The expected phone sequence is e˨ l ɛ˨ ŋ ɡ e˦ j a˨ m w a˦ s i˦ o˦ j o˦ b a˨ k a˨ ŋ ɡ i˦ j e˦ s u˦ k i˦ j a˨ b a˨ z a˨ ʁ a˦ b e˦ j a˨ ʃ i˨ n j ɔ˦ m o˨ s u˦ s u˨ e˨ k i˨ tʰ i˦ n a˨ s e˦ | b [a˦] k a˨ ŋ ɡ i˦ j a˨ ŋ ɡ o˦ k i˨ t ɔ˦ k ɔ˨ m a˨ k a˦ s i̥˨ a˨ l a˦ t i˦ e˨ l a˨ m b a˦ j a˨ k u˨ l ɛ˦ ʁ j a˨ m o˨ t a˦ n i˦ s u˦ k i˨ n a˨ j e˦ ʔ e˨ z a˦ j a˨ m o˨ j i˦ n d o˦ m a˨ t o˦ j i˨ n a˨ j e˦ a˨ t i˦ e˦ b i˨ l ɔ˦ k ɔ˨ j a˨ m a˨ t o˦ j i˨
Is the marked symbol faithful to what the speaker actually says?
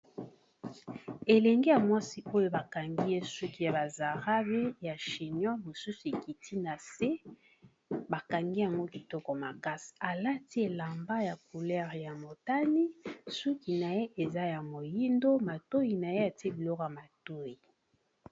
no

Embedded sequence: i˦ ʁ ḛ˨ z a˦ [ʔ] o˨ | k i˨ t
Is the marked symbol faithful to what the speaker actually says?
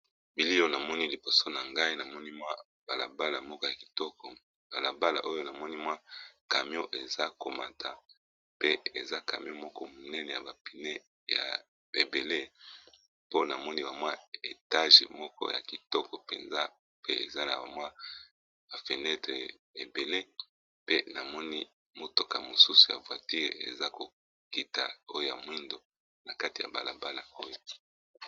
no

